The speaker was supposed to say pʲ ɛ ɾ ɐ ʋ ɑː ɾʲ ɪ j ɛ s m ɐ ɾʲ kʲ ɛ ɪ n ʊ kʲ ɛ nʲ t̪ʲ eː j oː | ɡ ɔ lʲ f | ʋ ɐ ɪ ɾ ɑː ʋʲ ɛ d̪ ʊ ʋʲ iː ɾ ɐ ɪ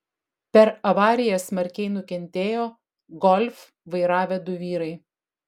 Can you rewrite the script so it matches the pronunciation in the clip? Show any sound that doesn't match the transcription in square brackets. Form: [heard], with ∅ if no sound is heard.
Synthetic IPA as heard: pʲ ɛ ɾ ɐ ʋ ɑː ɾʲ ɪ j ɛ s m ɐ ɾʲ kʲ ɛ ɪ n ʊ kʲ ɛ nʲ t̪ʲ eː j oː | ɡ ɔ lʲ f | ʋ ɐ ɪ ɾ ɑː ʋʲ ɛ d̪ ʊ ʋʲ iː ɾ ɐ ɪ